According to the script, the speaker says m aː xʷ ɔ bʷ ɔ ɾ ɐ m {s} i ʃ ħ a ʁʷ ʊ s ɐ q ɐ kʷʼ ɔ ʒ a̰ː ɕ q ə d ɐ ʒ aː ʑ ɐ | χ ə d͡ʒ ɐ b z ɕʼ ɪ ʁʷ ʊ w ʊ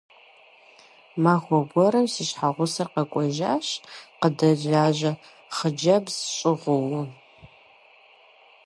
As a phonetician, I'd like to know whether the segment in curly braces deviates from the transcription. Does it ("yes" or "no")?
no